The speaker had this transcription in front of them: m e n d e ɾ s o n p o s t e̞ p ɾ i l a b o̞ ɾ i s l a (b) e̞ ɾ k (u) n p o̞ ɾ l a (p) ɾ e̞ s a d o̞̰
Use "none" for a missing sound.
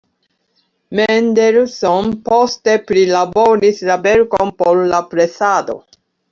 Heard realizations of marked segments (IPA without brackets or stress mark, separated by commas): b, o, p